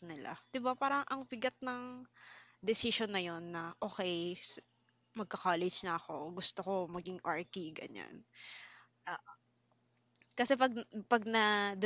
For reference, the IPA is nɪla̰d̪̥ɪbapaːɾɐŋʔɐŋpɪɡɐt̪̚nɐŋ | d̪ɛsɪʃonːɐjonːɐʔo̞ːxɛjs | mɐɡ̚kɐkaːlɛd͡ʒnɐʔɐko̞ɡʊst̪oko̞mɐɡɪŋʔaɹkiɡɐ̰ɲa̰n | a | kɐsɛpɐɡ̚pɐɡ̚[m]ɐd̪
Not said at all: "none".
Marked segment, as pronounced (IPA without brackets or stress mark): n